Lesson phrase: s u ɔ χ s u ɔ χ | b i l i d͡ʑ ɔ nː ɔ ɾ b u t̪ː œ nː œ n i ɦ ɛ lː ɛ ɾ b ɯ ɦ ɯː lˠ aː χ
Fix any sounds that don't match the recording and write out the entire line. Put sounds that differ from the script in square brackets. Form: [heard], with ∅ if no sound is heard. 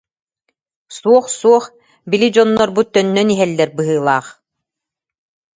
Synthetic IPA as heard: s u ɔ χ s u ɔ χ | b i l i d͡ʑ ɔ nː ɔ ɾ b u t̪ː œ nː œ n i ɦ ɛ lː ɛ ɾ b ɯ ɦ ɯː lˠ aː χ